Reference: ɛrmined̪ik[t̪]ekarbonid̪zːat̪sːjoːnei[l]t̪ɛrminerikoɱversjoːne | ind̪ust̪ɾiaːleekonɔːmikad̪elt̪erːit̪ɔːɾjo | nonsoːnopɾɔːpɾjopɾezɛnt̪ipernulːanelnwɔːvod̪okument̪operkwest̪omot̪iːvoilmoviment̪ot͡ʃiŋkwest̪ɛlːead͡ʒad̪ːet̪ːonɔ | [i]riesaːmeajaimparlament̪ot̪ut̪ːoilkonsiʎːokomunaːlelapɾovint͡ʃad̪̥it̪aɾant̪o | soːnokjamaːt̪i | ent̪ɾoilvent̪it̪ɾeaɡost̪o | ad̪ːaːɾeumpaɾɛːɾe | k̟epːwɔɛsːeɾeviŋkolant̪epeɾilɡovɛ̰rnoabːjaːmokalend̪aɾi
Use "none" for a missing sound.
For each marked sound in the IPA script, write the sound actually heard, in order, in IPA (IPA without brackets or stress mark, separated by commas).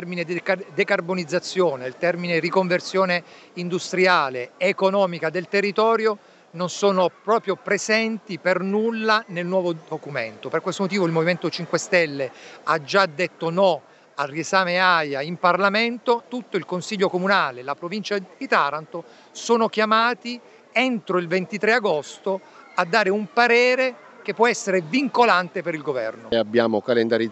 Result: d̪, l, a